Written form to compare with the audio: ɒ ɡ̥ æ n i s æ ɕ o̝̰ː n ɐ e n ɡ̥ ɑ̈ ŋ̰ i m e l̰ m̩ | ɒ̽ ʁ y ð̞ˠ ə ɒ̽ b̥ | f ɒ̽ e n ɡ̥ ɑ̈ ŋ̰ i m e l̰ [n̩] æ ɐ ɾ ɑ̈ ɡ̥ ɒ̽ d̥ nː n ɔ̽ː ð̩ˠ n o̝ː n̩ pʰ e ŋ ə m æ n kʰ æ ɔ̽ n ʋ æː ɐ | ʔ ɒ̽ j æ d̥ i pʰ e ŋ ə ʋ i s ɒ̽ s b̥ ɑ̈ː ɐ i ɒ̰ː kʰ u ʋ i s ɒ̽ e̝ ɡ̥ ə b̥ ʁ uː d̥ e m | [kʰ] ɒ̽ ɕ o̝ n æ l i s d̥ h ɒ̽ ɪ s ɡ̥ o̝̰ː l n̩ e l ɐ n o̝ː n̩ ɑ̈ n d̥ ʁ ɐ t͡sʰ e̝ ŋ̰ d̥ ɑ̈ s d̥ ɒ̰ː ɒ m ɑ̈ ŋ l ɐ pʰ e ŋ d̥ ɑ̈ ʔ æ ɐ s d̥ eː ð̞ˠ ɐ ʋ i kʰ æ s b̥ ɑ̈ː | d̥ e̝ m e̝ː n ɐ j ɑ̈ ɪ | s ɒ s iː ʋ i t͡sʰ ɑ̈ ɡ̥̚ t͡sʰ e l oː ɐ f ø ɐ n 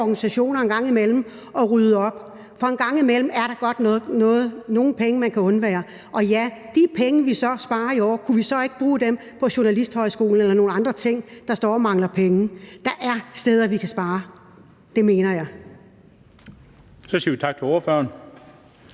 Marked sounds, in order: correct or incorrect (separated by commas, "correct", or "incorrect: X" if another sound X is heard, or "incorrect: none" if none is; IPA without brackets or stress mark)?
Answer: incorrect: m̩, incorrect: pʰ